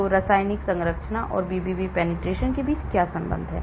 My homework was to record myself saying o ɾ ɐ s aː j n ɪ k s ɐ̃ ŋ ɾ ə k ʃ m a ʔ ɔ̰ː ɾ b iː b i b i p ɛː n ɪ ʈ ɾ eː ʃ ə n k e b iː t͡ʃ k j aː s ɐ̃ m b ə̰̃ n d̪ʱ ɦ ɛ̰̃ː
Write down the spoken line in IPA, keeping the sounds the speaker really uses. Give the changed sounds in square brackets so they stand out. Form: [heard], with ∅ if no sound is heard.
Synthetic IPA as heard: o ɾ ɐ s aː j n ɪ k s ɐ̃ ŋ ɾ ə k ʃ [n] a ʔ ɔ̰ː ɾ b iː b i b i p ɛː n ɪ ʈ ɾ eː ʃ ə n k e b iː t͡ʃ k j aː s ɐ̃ m b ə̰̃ n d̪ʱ ɦ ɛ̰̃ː